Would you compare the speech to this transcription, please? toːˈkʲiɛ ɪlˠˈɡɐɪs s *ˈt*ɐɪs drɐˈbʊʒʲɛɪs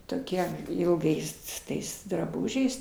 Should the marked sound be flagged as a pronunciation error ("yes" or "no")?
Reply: no